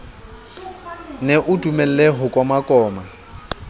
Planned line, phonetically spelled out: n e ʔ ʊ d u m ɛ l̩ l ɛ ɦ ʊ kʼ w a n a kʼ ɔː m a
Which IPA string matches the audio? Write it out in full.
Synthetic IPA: n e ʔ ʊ d u m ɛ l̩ l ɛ ɦ ʊ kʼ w a m a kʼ ɔː m a